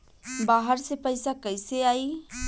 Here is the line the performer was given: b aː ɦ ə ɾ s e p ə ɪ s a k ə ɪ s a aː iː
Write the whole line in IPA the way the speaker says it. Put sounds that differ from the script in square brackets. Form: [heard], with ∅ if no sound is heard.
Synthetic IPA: b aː ɦ ə ɾ s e p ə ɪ s a k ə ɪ s [e] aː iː